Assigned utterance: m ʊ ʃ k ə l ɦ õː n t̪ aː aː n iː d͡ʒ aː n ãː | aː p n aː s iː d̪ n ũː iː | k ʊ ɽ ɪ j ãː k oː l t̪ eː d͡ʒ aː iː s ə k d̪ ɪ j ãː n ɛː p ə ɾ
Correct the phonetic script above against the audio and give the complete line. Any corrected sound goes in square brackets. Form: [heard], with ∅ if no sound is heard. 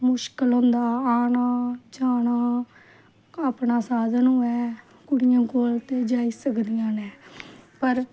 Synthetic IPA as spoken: m ʊ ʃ k ə l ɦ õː n [d̪] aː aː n [aː] d͡ʒ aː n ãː | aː p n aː s [aː] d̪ n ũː [ɛː] | k ʊ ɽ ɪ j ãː k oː l t̪ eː d͡ʒ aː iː s ə k d̪ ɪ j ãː n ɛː p ə ɾ